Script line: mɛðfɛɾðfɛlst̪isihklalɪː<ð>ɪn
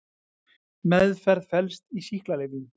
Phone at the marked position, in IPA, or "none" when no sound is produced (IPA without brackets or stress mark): v